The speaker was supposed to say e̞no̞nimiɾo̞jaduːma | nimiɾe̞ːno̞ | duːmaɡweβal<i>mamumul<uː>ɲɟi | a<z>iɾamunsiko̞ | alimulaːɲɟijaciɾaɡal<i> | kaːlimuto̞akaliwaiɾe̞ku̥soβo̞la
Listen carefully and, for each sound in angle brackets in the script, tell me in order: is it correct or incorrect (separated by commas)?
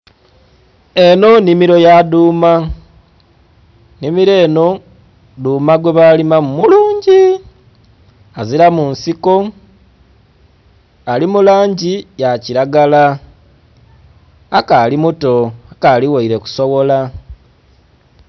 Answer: correct, correct, correct, incorrect